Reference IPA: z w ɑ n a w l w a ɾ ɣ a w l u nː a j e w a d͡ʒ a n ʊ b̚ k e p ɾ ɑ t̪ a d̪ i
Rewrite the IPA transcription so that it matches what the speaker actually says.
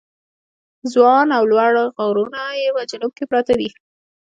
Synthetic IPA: z w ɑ n a w l w a ɽ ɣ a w ɾ u n a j e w a d͡ʒ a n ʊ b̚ k e p ɾ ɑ t̪ a d̪ i